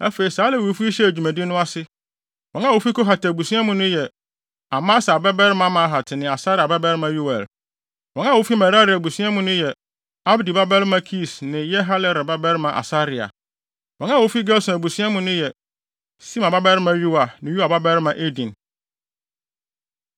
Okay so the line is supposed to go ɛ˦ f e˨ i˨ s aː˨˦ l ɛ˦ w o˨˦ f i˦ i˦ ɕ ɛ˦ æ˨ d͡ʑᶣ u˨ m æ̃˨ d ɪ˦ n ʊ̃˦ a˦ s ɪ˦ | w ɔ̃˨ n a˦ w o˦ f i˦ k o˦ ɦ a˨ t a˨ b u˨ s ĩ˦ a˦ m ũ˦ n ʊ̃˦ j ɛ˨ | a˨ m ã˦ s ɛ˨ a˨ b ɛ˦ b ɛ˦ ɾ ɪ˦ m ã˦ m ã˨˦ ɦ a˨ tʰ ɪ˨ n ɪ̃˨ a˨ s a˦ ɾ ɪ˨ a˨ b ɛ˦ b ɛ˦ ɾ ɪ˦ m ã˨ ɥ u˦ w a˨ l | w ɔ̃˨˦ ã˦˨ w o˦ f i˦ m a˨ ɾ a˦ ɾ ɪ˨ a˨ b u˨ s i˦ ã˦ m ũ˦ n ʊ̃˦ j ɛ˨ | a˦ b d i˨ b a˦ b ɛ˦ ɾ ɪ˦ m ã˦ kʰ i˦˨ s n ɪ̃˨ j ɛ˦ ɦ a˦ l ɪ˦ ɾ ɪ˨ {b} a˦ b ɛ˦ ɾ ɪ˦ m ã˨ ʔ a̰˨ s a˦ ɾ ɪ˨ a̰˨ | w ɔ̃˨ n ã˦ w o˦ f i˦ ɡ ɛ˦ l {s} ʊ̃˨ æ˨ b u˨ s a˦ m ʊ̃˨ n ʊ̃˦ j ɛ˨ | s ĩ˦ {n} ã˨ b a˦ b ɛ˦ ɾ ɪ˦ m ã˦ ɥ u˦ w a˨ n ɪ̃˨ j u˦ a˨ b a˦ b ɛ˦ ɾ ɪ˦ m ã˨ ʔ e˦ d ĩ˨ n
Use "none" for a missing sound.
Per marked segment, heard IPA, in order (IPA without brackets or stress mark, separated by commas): b, s, m